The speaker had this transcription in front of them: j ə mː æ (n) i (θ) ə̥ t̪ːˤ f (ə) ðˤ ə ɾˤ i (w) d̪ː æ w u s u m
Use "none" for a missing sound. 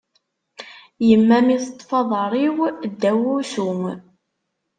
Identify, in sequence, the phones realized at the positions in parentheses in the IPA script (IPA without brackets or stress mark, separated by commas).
m, θ, ɑ, w